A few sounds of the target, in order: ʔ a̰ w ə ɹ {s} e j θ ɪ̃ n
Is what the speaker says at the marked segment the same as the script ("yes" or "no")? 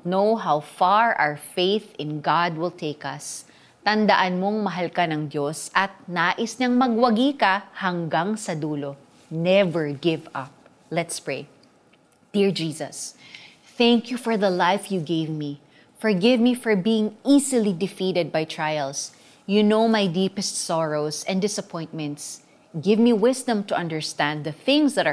no